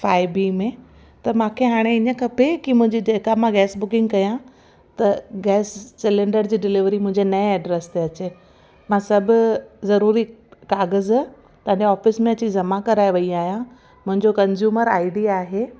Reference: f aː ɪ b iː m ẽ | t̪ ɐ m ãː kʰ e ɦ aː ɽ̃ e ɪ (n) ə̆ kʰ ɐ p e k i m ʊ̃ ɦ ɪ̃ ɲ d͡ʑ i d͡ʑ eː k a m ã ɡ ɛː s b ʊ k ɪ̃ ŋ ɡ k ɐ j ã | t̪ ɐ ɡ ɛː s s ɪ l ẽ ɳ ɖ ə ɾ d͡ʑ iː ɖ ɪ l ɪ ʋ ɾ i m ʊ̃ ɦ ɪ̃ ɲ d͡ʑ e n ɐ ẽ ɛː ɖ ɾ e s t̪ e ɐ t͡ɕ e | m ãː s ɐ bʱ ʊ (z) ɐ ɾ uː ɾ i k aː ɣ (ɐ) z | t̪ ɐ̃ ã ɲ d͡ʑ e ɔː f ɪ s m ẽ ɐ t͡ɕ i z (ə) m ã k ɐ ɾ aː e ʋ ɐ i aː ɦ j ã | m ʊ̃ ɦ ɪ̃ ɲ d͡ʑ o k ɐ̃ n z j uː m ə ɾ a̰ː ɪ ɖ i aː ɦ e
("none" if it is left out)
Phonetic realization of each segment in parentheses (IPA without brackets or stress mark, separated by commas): ɲ, z, ə, ɐ